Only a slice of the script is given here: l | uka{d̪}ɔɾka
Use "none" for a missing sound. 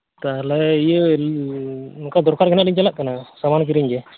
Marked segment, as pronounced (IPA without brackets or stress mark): d̪